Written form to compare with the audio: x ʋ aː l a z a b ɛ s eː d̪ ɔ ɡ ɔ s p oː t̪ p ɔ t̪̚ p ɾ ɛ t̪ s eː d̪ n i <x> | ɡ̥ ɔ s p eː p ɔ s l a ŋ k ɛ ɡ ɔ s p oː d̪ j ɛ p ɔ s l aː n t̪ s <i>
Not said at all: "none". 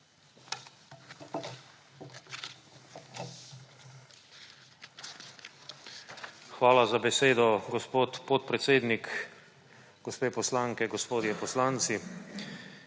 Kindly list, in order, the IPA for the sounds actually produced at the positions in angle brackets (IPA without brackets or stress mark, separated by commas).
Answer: k, i